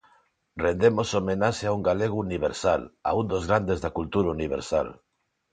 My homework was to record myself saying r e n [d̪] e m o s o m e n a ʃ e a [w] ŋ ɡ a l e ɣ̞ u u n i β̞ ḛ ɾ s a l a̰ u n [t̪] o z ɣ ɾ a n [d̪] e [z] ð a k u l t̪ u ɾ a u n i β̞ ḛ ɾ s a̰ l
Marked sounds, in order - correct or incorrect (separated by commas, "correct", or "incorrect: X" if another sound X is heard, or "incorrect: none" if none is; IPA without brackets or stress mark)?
correct, incorrect: u, incorrect: d̪, correct, correct